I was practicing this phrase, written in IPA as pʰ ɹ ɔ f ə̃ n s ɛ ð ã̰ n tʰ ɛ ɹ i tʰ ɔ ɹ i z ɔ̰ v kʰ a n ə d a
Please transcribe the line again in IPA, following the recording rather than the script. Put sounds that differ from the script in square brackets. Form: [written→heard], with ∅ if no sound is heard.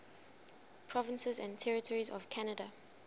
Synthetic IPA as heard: pʰ ɹ ɔ [f→v] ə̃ n s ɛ [ð→z] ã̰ n tʰ ɛ ɹ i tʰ ɔ ɹ i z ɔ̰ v kʰ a n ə d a